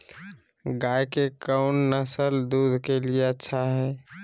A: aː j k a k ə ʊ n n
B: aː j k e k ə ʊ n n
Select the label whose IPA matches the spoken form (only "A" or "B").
B